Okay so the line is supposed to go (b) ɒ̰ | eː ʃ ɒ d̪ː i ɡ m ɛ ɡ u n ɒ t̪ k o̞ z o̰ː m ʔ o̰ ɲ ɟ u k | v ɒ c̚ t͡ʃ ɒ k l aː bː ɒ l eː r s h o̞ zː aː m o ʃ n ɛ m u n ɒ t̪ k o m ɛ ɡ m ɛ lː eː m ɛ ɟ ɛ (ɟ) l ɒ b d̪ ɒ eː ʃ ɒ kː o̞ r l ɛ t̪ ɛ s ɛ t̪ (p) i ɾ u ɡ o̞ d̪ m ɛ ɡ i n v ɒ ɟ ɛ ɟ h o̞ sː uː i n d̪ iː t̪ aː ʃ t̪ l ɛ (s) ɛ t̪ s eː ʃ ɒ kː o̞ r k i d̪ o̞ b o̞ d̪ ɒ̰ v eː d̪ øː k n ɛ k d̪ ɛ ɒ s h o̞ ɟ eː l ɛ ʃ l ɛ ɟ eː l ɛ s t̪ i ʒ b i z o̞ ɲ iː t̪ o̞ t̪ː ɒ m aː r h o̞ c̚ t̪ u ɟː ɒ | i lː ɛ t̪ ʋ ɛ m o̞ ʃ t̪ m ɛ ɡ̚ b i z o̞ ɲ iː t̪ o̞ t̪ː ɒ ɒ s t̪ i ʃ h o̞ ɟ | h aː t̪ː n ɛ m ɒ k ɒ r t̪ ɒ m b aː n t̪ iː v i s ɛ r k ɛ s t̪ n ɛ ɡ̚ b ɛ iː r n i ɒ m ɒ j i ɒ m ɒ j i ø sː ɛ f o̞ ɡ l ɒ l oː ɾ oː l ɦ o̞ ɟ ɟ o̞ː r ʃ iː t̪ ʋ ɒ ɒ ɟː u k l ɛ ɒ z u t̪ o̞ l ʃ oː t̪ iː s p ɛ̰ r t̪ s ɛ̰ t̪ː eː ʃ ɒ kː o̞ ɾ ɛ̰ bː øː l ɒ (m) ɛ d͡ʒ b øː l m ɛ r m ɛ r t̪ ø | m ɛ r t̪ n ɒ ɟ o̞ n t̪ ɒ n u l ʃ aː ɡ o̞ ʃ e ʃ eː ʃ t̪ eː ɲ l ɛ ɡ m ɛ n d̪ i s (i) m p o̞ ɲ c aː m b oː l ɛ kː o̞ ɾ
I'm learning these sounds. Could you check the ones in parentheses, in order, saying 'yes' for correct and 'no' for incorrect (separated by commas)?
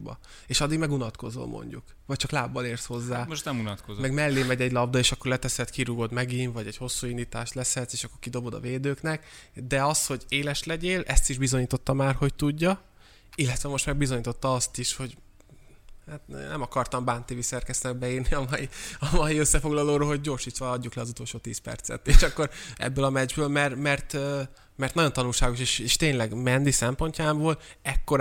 yes, yes, no, yes, yes, no